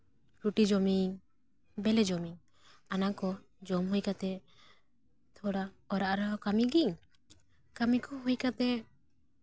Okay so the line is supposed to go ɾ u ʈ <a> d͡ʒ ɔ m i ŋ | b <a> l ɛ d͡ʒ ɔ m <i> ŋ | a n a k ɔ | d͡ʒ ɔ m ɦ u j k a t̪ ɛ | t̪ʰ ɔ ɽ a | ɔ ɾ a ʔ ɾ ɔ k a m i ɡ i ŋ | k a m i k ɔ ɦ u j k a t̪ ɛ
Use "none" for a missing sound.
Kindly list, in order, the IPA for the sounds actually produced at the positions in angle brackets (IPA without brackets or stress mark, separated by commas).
i, ɛ, i